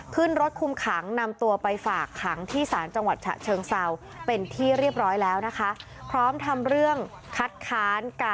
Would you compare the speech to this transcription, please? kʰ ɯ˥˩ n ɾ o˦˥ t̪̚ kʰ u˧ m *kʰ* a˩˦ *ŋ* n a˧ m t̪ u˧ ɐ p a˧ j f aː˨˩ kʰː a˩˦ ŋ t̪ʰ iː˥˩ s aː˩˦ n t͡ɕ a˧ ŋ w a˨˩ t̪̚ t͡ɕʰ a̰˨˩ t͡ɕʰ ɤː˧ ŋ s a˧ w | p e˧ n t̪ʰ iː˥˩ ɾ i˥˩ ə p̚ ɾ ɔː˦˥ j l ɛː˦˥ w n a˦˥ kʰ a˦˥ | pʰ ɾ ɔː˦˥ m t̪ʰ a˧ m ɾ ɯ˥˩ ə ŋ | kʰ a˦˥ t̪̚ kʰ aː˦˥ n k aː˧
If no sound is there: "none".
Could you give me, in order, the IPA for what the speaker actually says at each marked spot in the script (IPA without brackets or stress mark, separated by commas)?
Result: kʰ, ŋ